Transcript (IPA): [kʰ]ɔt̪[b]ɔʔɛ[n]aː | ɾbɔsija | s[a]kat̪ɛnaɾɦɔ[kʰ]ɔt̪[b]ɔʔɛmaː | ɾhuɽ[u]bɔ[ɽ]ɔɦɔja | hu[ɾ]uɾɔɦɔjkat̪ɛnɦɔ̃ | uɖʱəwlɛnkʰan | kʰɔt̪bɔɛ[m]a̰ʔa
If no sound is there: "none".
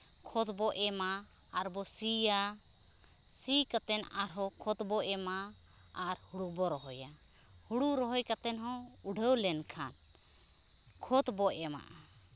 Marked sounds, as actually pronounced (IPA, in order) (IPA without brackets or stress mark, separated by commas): kʰ, b, m, i, kʰ, b, u, ɾ, ɽ, m